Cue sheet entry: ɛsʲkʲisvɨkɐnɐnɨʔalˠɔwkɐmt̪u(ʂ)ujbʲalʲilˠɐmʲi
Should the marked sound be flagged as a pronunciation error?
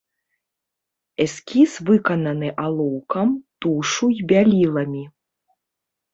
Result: no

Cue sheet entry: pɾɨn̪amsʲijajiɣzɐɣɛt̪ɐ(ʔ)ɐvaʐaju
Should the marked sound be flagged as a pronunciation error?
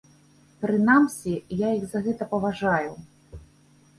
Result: yes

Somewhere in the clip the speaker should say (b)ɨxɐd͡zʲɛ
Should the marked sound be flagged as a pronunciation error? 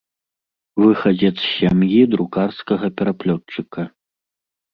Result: yes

